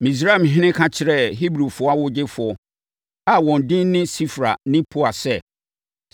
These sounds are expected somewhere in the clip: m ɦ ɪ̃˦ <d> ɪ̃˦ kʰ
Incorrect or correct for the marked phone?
incorrect: n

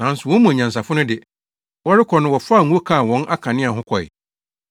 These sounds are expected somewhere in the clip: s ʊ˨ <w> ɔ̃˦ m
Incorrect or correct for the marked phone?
correct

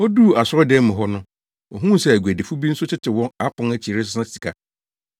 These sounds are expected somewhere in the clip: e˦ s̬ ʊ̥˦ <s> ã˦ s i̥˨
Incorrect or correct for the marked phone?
correct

